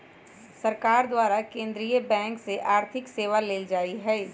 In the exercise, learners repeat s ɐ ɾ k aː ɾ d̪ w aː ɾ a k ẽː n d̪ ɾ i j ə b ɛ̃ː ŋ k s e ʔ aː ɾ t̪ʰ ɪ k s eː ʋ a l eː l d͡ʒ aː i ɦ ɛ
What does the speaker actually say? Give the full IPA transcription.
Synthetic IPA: s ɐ ɾ k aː ɾ d̪ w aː ɾ a k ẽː n d̪ ɾ i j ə b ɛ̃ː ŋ k s e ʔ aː ɾ t̪ʰ ɪ k s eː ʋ a l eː l d͡ʒ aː i ɦ ɛː